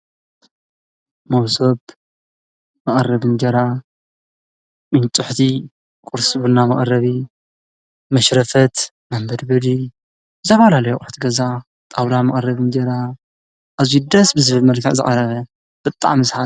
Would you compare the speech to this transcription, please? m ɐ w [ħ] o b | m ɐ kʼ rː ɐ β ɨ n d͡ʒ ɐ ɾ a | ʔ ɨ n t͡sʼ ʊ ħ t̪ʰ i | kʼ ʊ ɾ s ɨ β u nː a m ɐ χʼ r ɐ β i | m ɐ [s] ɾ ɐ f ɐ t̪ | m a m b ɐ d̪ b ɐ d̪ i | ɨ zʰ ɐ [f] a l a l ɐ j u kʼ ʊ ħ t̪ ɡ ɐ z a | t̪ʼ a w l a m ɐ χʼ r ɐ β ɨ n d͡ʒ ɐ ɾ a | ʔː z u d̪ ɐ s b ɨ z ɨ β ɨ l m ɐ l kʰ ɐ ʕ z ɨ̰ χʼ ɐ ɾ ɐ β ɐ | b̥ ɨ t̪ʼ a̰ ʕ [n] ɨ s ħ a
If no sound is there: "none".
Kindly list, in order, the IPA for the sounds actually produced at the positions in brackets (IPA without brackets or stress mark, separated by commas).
s, ʃ, f, m